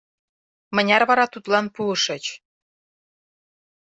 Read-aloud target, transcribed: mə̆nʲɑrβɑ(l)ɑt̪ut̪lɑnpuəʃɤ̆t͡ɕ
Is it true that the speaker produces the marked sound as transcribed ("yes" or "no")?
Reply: no